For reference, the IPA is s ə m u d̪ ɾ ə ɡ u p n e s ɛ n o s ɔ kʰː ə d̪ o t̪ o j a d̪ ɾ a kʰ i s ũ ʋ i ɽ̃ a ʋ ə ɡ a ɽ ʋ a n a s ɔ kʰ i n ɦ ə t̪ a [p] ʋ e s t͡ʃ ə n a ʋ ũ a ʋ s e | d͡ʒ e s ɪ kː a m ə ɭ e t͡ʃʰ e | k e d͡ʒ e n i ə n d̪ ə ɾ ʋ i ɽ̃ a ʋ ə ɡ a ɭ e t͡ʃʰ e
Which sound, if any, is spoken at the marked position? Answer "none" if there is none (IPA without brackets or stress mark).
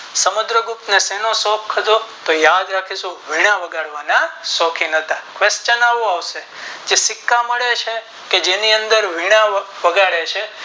k